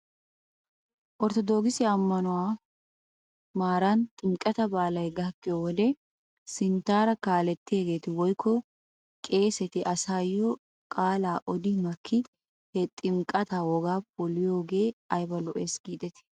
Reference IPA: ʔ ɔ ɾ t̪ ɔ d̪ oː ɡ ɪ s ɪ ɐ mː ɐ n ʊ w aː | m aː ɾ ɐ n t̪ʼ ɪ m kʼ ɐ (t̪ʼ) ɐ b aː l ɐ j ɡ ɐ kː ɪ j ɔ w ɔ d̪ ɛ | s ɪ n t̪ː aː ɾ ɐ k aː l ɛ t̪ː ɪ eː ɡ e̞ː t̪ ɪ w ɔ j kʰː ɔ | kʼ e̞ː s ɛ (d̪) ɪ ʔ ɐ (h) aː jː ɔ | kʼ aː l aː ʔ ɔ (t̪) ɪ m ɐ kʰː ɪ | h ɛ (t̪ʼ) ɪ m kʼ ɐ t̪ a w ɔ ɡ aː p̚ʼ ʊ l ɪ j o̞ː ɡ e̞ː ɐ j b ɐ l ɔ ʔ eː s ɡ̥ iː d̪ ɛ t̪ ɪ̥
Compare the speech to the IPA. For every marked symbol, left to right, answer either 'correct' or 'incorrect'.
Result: incorrect, incorrect, incorrect, incorrect, correct

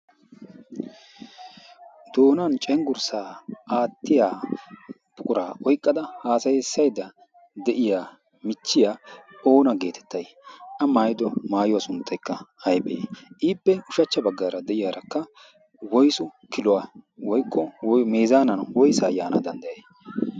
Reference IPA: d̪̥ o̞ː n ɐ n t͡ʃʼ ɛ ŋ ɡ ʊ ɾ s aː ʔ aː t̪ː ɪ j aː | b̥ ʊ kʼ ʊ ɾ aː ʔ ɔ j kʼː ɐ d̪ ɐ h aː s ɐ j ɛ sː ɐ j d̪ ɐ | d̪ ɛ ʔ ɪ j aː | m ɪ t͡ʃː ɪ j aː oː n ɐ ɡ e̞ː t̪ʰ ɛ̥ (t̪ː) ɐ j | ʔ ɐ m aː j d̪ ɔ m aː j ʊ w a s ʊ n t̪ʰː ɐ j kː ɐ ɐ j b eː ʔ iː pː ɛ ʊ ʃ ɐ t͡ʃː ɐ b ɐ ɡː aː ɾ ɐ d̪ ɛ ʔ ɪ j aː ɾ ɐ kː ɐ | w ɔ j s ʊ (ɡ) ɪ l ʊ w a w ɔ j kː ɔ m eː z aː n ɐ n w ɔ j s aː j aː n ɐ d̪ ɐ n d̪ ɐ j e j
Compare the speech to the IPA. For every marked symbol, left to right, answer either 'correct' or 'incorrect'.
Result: correct, incorrect

